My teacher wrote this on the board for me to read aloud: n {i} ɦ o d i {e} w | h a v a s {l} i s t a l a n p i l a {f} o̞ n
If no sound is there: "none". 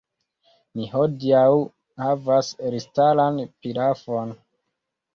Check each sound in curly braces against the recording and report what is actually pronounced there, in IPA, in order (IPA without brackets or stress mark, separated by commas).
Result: i, a, ɾ, f